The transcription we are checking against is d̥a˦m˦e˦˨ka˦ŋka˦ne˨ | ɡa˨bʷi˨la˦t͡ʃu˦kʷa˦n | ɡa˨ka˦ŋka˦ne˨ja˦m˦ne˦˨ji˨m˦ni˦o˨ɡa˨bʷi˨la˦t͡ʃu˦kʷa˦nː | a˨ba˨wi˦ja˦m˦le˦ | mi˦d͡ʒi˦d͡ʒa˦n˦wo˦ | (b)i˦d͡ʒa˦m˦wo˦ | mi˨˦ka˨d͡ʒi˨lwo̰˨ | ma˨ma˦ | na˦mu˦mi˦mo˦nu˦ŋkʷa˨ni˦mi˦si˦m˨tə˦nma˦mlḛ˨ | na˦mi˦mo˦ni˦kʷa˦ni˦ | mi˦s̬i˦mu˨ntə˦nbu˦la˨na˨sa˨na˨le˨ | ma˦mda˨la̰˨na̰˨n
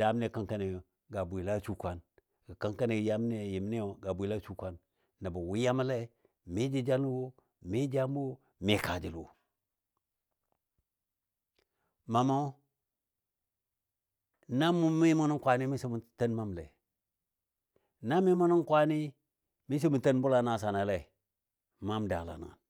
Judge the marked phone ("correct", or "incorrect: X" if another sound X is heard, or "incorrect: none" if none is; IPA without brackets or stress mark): incorrect: m